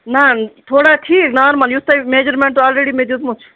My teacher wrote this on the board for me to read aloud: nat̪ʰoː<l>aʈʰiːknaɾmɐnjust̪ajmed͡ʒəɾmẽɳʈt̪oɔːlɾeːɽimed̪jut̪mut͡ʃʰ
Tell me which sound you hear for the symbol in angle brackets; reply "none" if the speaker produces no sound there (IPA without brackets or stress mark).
ɽ